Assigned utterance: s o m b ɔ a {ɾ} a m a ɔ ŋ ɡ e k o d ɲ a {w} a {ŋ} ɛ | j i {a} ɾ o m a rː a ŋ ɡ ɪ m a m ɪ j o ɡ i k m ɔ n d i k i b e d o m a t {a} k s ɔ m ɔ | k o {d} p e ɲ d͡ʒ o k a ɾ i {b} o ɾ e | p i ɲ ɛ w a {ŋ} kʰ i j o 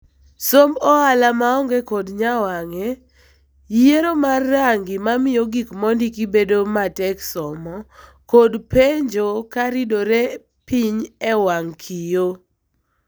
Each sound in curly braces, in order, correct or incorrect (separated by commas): incorrect, correct, correct, incorrect, incorrect, correct, incorrect, correct